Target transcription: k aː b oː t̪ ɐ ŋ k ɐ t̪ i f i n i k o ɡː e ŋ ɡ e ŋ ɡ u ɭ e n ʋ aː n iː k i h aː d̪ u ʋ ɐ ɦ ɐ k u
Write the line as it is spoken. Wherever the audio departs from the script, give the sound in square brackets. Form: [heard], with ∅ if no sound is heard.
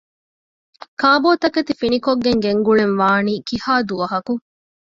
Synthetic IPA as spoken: k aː b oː t̪ ɐ [∅] k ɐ t̪ i f i n i k o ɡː e ŋ ɡ e ŋ ɡ u ɭ e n ʋ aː n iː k i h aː d̪ u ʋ ɐ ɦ ɐ k u